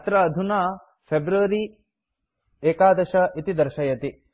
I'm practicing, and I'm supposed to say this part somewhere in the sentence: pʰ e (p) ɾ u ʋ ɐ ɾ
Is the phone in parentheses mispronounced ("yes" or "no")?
yes